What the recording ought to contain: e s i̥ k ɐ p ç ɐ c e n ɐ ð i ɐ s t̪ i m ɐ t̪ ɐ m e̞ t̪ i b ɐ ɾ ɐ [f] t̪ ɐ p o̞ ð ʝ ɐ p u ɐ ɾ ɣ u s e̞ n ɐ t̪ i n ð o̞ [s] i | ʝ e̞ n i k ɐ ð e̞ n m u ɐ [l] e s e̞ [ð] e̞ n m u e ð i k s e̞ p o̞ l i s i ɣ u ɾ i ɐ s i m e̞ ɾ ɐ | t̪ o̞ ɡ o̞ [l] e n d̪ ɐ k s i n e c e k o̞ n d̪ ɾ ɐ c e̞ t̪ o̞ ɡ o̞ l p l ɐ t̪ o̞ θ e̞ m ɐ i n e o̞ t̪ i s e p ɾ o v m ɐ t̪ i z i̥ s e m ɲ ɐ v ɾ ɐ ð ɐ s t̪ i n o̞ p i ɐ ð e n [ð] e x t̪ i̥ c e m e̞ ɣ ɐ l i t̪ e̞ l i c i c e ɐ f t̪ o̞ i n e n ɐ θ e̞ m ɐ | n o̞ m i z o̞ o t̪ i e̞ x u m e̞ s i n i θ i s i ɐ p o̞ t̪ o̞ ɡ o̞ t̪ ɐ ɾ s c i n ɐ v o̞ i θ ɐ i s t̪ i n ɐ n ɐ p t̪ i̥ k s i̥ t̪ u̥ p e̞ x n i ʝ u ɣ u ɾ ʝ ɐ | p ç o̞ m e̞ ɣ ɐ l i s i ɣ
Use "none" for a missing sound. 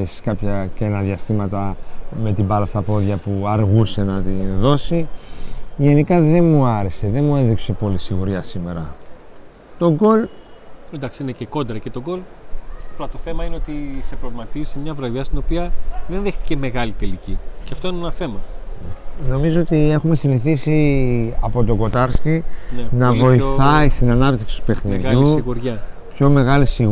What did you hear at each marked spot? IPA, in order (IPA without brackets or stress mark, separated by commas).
s, s, ɾ, ð, l, ð